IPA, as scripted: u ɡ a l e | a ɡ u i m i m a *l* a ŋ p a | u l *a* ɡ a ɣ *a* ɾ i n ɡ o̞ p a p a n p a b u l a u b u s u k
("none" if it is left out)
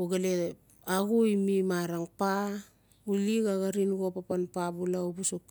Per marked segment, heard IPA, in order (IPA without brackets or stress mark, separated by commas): ɾ, i, a